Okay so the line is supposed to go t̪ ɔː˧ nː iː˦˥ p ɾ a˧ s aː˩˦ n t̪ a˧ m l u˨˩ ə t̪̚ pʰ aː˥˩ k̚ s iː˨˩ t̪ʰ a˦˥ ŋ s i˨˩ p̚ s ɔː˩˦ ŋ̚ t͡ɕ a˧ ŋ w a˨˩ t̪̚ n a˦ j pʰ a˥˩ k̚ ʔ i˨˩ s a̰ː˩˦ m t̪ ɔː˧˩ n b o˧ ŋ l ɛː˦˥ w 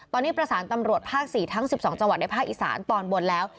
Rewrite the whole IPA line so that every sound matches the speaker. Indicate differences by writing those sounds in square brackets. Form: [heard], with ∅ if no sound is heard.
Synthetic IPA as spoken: t̪ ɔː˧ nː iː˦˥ p ɾ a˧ s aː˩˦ n t̪ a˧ m [ɾ] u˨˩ ə t̪̚ pʰ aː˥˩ k̚ s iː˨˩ t̪ʰ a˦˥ ŋ s i˨˩ p̚ s ɔː˩˦ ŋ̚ t͡ɕ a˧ ŋ w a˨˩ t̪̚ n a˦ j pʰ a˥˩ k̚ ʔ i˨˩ s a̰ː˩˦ [n] t̪ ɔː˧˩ n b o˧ [n] l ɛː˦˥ w